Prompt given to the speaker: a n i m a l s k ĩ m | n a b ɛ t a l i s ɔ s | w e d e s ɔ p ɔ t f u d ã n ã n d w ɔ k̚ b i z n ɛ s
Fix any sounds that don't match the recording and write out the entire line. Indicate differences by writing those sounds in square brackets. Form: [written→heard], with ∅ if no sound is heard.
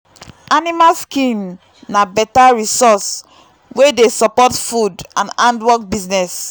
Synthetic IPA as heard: a n i m a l s k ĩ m | n a b ɛ t a [l→ɹ] i s ɔ s | w e d e s ɔ p ɔ t f u d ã n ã n d w ɔ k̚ b i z n ɛ s